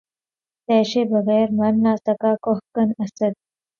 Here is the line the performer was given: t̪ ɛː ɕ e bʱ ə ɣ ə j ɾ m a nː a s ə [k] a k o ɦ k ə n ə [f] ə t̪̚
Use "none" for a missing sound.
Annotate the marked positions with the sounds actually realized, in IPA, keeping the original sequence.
k, s

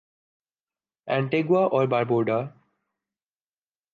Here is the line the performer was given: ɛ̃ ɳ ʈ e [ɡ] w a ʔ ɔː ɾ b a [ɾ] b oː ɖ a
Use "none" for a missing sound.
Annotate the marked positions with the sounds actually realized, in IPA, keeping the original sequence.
ɡ, ɾ

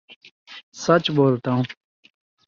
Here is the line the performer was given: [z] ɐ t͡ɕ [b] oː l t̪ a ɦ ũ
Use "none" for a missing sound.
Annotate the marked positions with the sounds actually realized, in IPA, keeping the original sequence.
s, b

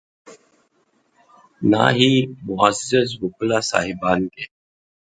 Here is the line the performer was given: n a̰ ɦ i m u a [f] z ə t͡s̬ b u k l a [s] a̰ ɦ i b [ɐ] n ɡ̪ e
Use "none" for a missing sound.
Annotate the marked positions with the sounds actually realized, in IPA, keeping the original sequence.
s, s, a

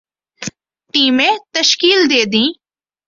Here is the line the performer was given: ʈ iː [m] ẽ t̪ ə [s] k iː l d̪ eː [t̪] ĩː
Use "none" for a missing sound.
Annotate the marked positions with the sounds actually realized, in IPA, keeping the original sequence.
m, ʃ, d̪

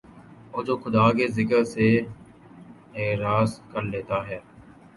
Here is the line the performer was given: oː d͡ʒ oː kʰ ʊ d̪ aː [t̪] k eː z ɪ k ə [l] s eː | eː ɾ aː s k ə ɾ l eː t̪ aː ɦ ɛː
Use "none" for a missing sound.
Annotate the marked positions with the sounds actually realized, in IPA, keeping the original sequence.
none, ɾ

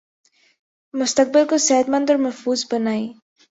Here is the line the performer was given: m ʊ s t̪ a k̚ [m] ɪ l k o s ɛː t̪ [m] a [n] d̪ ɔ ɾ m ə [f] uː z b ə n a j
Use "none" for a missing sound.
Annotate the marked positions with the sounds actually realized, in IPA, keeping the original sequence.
b, m, n, f

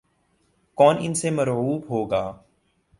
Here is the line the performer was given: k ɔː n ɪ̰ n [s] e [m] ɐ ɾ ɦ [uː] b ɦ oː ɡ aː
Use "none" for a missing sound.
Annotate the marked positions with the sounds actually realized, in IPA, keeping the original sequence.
s, m, uː

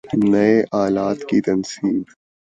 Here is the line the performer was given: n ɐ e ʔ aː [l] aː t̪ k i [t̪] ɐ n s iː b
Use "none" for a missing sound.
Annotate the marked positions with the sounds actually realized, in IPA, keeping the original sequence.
l, t̪

